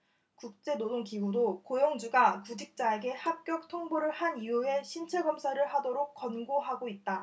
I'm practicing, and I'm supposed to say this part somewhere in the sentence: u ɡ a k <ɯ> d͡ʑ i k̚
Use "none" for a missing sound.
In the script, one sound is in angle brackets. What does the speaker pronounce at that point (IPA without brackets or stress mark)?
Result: u